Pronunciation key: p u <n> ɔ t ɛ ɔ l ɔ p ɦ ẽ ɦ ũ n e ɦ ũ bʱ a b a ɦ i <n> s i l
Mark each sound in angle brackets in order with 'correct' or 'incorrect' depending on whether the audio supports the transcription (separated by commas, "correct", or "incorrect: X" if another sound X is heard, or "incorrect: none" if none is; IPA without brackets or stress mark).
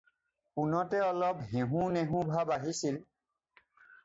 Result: correct, incorrect: none